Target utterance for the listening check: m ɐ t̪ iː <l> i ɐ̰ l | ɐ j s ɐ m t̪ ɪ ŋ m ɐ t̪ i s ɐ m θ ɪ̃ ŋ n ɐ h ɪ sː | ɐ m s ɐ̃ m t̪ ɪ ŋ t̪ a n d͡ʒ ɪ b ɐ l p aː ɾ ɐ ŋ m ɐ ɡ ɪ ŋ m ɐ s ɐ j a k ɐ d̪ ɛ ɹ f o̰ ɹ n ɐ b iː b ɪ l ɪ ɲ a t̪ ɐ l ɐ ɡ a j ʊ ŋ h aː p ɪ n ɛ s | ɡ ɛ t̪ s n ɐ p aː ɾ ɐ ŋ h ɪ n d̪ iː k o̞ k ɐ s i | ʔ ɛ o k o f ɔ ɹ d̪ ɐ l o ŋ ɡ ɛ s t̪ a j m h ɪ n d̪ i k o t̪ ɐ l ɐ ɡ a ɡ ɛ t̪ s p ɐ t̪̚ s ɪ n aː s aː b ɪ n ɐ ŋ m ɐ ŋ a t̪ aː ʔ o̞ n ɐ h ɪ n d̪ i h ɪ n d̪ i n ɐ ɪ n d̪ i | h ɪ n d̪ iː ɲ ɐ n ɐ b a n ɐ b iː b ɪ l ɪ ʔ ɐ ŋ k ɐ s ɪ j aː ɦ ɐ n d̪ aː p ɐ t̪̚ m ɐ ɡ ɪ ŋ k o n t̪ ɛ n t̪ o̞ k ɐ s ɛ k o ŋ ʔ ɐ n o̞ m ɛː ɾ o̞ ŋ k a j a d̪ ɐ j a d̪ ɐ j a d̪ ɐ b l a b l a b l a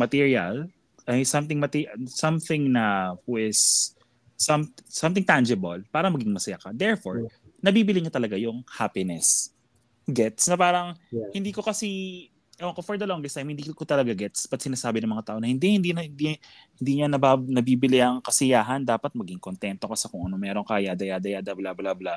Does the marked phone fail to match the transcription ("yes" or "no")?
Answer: yes